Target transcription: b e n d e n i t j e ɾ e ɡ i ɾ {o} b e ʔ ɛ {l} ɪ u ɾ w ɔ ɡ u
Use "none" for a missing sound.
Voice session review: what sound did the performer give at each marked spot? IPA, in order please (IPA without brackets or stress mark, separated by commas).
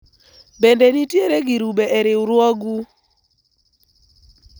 u, ɾ